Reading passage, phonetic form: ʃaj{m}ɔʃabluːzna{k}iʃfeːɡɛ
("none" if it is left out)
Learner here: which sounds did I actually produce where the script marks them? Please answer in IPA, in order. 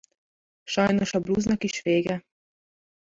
n, k

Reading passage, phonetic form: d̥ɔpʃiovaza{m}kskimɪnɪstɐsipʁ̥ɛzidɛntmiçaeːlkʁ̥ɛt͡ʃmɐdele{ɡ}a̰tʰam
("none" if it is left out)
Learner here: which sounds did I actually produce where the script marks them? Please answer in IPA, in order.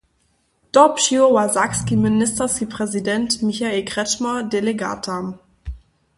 none, ɡ

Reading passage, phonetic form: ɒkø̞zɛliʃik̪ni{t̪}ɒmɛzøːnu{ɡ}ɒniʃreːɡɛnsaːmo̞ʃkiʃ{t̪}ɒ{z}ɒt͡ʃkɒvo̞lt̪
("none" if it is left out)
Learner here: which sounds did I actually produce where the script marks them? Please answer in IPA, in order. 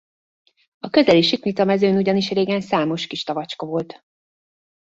t̪, ɟ, t̪, v

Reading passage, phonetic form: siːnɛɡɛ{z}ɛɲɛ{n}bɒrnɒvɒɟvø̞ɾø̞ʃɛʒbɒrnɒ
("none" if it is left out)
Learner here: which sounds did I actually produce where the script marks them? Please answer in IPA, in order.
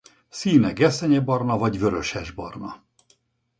s, none

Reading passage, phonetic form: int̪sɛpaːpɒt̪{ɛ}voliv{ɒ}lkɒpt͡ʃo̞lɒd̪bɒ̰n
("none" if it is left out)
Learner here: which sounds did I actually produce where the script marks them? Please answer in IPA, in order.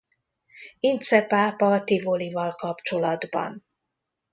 i, ɒ

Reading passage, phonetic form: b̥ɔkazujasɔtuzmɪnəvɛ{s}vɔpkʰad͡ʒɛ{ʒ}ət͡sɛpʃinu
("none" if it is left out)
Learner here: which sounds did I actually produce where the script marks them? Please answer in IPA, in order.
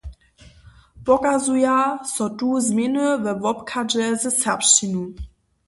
none, z

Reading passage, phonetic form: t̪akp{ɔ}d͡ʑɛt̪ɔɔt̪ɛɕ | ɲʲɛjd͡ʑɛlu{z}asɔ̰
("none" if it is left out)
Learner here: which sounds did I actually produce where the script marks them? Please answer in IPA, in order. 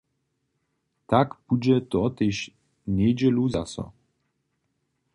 u, z

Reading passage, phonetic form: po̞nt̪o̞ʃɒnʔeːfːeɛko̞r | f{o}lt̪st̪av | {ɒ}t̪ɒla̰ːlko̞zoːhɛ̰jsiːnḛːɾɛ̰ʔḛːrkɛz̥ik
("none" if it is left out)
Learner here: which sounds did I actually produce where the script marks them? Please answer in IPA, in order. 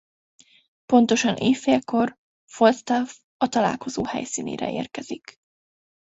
o, ɒ

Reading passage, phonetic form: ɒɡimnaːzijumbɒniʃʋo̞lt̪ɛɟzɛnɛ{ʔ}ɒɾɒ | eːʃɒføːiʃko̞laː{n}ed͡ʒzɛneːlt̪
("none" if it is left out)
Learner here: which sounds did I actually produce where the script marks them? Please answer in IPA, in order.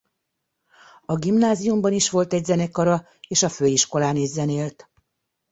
k, n

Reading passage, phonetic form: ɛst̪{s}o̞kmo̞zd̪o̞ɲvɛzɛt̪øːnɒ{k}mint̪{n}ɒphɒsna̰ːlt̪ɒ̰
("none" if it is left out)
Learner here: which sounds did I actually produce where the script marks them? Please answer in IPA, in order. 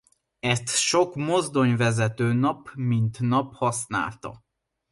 ʃ, p, n

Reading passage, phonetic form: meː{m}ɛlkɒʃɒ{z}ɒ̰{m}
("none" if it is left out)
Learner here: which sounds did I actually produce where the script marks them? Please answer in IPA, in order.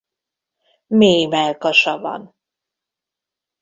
m, v, n

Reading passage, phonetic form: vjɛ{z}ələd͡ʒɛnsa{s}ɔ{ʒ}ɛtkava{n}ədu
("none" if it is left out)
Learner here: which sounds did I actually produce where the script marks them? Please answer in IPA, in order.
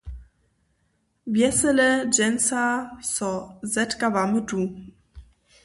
s, s, z, m

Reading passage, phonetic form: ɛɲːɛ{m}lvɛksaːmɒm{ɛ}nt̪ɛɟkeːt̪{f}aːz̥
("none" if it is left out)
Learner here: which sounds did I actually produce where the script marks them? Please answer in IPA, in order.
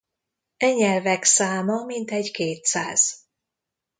none, i, s

